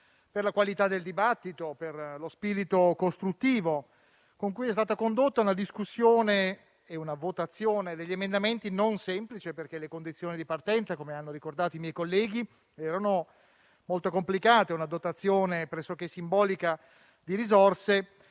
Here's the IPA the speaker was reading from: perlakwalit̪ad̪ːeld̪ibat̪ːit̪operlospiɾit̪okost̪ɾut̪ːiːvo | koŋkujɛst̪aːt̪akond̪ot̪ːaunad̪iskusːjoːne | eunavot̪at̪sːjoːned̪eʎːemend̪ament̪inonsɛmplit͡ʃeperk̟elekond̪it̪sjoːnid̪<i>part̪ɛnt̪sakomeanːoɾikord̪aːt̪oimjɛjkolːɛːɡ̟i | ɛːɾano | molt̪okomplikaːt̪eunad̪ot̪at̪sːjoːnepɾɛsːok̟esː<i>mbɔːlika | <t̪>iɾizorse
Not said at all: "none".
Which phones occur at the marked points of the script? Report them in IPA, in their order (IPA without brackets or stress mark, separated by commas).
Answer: i, i, d̪